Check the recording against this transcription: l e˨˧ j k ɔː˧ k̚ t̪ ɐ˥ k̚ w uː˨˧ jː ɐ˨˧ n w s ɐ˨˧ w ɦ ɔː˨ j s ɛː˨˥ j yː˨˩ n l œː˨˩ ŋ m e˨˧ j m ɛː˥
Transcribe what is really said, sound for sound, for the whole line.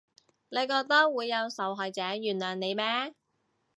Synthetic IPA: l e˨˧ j k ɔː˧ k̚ t̪ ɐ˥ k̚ w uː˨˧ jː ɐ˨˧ w s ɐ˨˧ w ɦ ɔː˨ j t͡s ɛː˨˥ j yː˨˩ n l œː˨˩ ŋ n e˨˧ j m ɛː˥

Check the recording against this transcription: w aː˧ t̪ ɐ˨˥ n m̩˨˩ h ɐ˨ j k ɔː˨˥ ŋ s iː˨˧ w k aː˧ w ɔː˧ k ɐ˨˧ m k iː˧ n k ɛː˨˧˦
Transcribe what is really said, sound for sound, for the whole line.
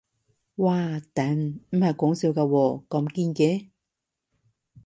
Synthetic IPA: w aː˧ t̪ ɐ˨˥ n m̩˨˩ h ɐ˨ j k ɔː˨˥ ŋ s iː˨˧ w k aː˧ w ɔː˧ k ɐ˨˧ m k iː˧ n k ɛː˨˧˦

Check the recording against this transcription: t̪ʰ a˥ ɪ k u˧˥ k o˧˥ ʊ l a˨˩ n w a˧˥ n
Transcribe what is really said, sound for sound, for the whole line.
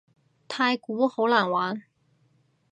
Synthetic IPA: t̪ʰ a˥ ɪ k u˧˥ x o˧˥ ʊ l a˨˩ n w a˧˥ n

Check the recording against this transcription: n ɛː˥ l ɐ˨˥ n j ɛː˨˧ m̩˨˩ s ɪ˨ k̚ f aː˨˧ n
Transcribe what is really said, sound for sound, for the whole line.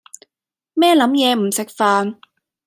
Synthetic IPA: m ɛː˥ l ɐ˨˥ m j ɛː˨˧ m̩˨˩ s ɪ˨ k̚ f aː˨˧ n

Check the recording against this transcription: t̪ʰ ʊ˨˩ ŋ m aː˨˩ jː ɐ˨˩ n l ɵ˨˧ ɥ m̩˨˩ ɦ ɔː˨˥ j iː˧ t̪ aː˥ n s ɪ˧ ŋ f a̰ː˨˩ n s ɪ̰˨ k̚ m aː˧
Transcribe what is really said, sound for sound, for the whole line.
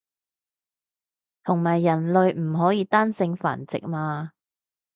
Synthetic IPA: t̪ʰ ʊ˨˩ ŋ m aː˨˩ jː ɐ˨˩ n l ɵ˨˧ ɥ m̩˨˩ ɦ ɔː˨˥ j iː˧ t̪ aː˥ n s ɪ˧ ŋ f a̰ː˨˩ n t͡s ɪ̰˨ k̚ m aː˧

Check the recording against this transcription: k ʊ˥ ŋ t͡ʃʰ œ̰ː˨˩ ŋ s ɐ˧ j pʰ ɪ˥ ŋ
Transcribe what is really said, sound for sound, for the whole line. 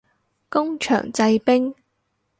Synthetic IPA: k ʊ˥ ŋ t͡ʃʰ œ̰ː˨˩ ŋ t͡s ɐ˧ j p ɪ˥ ŋ

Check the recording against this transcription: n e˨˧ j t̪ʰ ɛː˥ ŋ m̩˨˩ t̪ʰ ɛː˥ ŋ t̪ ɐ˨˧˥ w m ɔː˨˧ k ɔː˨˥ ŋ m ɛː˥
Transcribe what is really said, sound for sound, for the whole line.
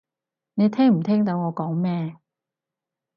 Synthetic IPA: n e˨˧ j t̪ʰ ɛː˥ ŋ m̩˨˩ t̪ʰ ɛː˥ ŋ t̪ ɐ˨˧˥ w ŋ ɔː˨˧ k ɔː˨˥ ŋ m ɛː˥

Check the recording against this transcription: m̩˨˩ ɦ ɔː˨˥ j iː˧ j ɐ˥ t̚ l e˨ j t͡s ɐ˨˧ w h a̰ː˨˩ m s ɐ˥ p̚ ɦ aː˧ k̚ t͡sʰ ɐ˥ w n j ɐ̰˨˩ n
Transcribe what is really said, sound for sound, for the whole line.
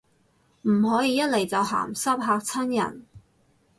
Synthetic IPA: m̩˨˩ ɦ ɔː˨˥ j iː˧ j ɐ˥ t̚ l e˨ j t͡s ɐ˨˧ w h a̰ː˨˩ m s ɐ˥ p̚ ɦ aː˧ k̚ t͡sʰ ɐ˥ n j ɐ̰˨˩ n

